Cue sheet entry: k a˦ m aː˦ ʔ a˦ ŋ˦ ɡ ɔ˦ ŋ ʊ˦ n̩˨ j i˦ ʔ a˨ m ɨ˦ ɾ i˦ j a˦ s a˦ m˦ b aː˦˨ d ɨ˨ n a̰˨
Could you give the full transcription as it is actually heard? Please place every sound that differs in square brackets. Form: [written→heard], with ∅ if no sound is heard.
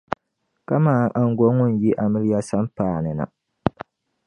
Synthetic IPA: k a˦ m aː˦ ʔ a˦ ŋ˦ ɡ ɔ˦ ŋ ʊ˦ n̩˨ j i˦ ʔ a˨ m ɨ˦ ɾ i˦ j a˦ s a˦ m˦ [b→p] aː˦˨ [d→n] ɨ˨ n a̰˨